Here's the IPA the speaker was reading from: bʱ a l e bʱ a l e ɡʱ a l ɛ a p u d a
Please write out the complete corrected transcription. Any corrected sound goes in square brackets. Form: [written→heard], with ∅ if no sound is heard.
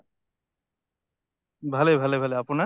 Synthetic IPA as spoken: bʱ a l e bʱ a l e [ɡʱ→bʱ] a l [ɛ→e] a p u [d→n] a